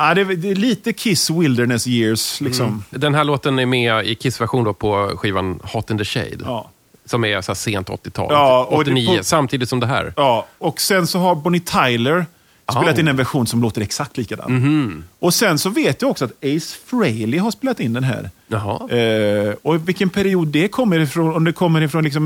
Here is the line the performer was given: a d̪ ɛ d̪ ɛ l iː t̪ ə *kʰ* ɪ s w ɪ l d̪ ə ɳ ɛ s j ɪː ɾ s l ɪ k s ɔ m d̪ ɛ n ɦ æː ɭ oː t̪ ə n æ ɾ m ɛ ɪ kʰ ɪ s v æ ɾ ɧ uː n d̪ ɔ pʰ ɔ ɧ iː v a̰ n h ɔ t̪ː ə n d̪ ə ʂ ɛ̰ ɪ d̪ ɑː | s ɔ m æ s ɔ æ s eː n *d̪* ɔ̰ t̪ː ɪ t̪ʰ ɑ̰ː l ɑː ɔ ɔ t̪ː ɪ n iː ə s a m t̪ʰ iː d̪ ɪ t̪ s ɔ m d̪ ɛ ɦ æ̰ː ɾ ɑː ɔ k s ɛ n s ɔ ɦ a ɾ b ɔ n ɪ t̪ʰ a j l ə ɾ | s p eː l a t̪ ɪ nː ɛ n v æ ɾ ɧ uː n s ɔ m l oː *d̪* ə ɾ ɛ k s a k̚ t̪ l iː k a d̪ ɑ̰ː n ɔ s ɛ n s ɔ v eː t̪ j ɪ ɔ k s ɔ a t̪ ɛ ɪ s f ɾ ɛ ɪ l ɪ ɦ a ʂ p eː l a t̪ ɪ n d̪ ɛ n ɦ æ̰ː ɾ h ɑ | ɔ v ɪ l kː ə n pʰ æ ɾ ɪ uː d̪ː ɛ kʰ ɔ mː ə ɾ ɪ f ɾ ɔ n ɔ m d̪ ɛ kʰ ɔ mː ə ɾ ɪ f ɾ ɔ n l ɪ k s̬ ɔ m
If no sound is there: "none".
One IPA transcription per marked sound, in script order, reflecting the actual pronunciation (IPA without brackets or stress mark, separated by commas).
kʰ, t̪, t̪